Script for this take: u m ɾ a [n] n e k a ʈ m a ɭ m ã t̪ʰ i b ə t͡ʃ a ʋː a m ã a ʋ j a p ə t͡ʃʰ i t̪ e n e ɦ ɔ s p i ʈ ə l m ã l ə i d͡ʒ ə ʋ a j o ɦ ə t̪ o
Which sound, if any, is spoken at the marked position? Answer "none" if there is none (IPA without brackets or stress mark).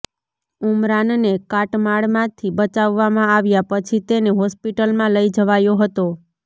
n